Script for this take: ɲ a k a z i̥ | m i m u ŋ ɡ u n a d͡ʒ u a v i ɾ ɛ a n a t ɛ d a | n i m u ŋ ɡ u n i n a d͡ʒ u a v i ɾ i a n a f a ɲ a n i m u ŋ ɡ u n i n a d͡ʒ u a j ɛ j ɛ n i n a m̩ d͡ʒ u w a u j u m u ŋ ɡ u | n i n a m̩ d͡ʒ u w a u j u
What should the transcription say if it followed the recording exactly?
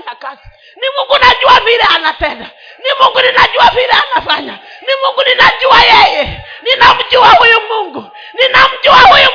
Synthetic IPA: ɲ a k a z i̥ | n i m u ŋ ɡ u n a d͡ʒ u a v i ɾ ɛ a n a t ɛ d a | n i m u ŋ ɡ u n i n a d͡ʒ u a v i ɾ ɛ a n a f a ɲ a n i m u ŋ ɡ u n i n a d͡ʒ u a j ɛ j ɛ n i n a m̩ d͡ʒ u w a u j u m u ŋ ɡ u | n i n a m̩ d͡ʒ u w a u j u